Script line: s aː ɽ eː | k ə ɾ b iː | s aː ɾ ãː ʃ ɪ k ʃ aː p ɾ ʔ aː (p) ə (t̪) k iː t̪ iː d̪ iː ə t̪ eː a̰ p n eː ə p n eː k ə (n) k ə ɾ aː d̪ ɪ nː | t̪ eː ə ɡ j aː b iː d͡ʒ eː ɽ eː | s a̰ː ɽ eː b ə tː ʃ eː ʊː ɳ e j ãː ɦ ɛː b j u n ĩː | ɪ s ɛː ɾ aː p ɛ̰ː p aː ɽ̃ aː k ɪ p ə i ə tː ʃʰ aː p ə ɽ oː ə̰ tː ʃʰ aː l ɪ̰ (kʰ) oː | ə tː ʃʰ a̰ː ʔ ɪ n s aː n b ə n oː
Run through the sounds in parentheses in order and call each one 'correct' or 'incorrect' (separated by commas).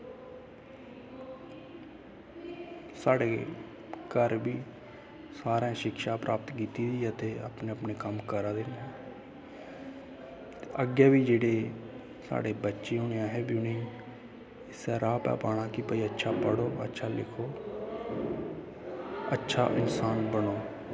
correct, correct, incorrect, correct